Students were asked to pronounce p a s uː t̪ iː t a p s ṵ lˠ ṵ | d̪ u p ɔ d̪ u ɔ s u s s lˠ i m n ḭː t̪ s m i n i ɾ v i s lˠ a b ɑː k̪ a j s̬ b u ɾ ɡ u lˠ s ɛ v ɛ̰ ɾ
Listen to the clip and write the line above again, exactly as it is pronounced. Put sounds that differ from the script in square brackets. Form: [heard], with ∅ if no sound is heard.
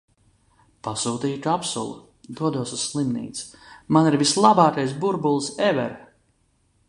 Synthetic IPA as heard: p a s uː t̪ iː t a p s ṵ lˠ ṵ | d̪ u [∅] ɔ d̪ u ɔ s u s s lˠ i m n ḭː t̪ s m [a] n i ɾ v i s lˠ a b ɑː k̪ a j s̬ b u ɾ [b] u lˠ s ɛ v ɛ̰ ɾ